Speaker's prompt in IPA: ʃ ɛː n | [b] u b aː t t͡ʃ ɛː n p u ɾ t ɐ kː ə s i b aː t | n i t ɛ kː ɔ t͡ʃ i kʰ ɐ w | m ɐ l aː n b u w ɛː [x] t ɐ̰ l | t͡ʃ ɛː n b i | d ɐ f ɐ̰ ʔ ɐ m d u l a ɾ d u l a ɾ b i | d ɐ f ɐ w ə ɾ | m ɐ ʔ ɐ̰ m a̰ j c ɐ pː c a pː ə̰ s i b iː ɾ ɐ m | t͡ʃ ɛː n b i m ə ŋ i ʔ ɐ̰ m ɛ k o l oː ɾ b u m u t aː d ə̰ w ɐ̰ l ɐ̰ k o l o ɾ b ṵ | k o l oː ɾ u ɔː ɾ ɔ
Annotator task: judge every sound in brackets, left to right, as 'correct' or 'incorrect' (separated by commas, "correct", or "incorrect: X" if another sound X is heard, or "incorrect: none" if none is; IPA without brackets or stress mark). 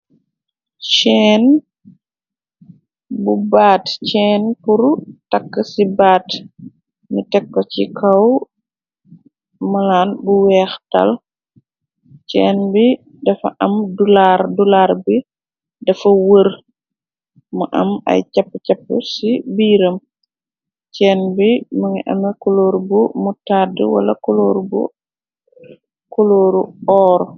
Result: correct, correct